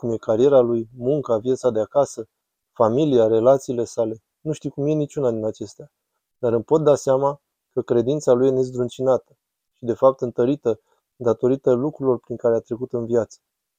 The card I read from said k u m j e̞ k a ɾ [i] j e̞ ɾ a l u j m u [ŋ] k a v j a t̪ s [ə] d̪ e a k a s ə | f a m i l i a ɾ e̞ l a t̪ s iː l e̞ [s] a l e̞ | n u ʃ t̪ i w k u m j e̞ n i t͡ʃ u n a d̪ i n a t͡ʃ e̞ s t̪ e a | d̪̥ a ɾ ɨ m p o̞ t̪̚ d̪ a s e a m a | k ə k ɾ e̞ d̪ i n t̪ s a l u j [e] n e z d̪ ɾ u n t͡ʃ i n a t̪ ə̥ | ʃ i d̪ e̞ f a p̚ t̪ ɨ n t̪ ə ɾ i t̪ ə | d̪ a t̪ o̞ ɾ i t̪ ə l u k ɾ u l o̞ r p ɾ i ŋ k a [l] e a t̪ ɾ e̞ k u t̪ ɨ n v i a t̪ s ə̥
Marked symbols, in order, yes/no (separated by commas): yes, yes, no, yes, yes, no